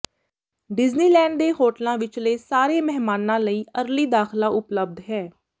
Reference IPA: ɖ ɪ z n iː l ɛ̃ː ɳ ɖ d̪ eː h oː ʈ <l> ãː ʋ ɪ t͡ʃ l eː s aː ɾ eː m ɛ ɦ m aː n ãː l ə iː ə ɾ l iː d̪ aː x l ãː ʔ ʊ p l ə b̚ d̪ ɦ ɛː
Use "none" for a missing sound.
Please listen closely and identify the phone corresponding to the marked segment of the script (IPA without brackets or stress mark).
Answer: l